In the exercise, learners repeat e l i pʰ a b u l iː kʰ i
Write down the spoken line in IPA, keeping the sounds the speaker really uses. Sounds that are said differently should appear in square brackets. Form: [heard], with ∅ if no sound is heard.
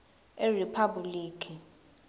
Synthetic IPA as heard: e [r] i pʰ a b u l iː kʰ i